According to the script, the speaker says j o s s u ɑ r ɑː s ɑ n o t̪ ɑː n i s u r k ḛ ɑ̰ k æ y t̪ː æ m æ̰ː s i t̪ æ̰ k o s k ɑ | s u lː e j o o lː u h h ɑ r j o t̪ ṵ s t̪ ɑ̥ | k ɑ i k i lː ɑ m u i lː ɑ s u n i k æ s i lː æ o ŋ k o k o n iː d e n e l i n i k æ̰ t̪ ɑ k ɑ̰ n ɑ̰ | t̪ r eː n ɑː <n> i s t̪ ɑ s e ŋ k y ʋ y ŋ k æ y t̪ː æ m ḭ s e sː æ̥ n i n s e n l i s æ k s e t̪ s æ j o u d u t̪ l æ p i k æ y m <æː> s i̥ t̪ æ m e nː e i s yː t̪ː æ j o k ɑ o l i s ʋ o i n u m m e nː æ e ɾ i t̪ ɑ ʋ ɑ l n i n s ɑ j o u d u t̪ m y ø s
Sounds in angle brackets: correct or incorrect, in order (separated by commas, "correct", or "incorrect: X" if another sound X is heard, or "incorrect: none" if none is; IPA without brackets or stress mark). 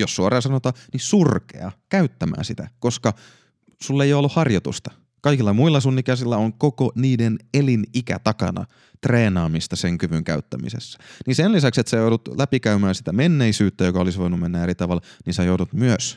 incorrect: m, correct